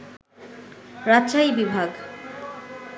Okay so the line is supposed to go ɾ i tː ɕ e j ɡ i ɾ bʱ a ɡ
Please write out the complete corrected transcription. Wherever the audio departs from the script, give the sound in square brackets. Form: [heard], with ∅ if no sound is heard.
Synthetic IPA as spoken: ɾ [a] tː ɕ [a] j [b] i [∅] bʱ a ɡ